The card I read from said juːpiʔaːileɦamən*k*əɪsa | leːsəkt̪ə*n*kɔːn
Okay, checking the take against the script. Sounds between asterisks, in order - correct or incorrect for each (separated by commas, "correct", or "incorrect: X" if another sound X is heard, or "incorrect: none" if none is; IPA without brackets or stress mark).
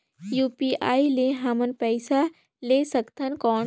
incorrect: p, correct